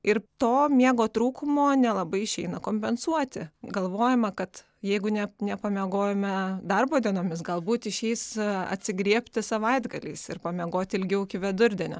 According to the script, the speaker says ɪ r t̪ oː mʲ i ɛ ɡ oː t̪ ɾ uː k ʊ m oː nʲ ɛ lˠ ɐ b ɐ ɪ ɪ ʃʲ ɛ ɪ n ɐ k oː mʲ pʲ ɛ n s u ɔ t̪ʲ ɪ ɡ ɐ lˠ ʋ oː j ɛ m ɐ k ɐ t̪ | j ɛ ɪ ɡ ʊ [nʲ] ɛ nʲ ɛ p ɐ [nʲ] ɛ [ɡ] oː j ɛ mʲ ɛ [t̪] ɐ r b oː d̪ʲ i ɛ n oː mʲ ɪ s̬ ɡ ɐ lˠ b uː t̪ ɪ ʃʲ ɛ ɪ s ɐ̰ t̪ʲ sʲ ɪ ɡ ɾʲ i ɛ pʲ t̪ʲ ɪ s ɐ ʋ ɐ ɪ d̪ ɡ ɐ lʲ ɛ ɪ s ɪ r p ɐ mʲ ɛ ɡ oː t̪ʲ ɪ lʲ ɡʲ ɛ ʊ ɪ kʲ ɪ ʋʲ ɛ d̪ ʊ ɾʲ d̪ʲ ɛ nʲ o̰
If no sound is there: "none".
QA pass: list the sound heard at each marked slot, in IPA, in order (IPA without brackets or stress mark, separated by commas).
nʲ, mʲ, ɡ, d̪